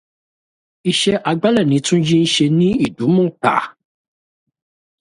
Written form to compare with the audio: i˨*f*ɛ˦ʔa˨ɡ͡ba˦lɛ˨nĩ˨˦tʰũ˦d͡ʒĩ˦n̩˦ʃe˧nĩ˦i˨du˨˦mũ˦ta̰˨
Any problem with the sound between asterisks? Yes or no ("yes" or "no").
yes